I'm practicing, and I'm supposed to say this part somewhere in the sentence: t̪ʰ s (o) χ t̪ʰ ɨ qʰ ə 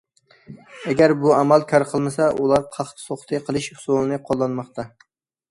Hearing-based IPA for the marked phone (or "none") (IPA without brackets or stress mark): o